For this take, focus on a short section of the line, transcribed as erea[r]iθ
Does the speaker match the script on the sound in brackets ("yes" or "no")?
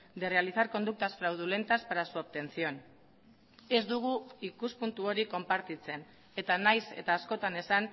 no